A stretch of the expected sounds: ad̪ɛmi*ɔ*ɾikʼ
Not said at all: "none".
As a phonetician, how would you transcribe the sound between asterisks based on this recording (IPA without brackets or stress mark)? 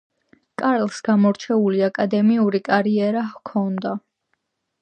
u